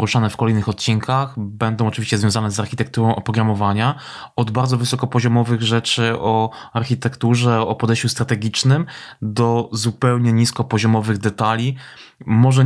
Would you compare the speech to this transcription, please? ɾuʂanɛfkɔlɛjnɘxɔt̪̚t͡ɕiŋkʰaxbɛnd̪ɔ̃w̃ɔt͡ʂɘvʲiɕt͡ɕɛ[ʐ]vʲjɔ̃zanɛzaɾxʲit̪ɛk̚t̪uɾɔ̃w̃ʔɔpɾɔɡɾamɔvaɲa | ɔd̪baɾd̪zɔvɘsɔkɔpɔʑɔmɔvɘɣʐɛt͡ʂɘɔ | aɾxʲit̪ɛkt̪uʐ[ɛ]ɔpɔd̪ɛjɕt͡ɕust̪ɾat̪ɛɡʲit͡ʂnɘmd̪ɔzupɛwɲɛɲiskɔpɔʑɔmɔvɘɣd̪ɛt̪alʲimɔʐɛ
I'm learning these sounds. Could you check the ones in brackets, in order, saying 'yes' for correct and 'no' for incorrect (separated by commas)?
no, yes